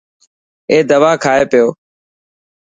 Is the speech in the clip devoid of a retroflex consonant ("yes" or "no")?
yes